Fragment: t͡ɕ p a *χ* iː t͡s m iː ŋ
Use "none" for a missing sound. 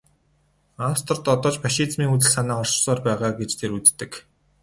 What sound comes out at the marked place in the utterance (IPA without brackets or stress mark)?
ʃ